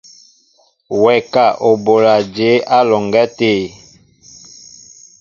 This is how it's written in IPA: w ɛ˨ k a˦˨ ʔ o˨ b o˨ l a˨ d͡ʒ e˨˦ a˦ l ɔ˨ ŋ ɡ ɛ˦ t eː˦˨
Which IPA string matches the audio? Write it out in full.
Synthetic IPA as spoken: w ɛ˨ k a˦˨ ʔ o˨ b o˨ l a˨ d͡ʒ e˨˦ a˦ l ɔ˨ ŋ ɡ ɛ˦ t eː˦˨